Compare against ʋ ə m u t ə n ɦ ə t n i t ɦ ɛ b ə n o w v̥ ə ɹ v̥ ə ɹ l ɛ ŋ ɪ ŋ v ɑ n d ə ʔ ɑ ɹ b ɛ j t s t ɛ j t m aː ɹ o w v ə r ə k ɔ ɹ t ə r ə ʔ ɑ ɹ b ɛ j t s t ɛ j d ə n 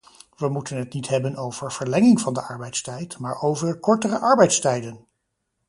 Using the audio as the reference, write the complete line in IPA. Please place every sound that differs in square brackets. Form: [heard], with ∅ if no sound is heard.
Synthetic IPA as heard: ʋ ə m u t ə n ɦ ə t n i t ɦ ɛ b ə n o w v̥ ə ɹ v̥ ə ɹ l ɛ ŋ ɪ ŋ v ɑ n d ə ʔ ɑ ɹ b ɛ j t s t ɛ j t m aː ɹ o w v ə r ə k ɔ ɹ t ə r ə ʔ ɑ ɹ b ɛ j t s t ɛ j d ə n